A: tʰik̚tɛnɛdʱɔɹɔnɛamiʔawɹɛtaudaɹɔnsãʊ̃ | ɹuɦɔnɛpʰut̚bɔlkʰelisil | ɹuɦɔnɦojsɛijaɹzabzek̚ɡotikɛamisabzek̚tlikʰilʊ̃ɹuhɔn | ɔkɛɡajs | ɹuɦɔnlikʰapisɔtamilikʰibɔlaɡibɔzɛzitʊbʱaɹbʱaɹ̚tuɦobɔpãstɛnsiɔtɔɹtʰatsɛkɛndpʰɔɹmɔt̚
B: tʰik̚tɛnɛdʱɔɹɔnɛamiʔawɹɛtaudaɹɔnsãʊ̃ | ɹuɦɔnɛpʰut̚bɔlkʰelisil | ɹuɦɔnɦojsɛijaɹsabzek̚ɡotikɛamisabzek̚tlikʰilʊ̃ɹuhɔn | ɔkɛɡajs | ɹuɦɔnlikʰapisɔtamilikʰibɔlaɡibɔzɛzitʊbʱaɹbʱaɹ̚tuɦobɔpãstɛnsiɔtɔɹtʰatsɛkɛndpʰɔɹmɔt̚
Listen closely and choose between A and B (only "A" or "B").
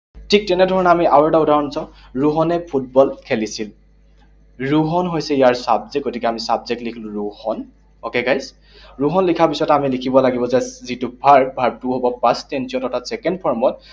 B